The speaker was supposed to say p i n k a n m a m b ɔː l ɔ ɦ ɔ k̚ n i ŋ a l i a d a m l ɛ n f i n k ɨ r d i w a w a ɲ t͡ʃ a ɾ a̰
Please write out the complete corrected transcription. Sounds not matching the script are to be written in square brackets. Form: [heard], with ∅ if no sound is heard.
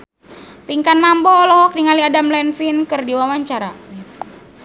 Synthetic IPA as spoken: p i [ŋ] k a n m a m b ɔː l ɔ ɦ ɔ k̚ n i ŋ a l i a d a m l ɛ n f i n k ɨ r d i w a w a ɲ t͡ʃ a ɾ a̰